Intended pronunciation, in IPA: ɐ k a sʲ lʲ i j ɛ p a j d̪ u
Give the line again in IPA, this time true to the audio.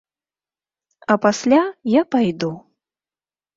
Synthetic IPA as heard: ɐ p a sʲ lʲ a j a p a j d̪ u